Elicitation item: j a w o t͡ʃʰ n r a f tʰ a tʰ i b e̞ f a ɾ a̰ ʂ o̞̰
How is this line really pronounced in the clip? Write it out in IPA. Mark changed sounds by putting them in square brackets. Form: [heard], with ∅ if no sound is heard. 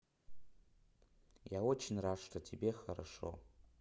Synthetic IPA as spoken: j a w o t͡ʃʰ n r a [ʂ] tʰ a tʰ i b e̞ [χ] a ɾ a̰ ʂ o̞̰